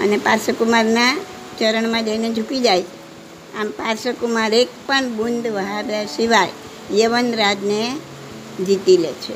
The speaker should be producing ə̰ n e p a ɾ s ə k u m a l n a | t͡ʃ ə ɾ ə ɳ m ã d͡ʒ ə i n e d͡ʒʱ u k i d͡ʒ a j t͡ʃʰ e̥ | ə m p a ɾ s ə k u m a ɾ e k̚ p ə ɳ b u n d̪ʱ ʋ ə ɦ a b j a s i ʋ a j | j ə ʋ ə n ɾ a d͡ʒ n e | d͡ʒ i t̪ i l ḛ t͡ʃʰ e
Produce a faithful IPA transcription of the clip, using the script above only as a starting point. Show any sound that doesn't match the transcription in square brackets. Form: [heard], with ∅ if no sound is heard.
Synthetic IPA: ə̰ n e p a ɾ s ə k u m a [ɾ] n a | t͡ʃ ə ɾ ə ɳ m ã d͡ʒ ə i n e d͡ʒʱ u k i d͡ʒ a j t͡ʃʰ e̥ | [a] m p a ɾ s ə k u m a ɾ e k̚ p ə ɳ b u n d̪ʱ ʋ ə ɦ a b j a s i ʋ a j | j ə ʋ ə n ɾ a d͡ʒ n e | d͡ʒ i t̪ i l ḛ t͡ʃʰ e